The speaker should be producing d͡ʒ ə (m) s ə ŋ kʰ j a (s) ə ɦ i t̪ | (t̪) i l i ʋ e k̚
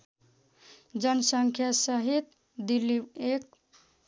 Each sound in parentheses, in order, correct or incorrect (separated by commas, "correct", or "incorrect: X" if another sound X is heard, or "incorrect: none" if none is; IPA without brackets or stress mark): incorrect: n, correct, incorrect: d̪